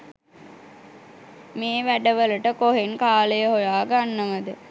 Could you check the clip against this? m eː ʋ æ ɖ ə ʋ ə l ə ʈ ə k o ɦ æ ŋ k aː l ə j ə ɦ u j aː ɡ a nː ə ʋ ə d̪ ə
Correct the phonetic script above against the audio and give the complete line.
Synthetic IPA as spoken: m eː ʋ æ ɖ ə ʋ ə l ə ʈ ə k o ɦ e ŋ k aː l ə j ə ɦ o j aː ɡ a nː ə ʋ ə d̪ ə